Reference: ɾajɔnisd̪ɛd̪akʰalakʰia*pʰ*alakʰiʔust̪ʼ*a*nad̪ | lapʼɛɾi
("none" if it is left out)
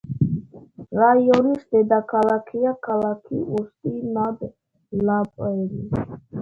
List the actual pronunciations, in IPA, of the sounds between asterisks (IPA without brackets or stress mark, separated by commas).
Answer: kʰ, i